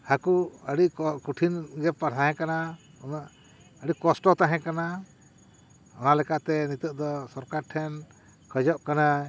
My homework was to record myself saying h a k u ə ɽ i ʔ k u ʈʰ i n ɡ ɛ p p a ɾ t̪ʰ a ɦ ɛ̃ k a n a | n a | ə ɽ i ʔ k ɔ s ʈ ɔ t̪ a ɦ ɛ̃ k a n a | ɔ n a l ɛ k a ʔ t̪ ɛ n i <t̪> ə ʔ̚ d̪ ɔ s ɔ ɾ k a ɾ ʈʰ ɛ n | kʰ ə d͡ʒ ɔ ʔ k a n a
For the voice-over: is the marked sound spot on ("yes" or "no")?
yes